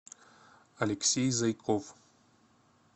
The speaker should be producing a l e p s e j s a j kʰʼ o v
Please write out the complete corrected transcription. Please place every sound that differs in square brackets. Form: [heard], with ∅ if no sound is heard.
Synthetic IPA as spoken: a l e [k] s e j [z] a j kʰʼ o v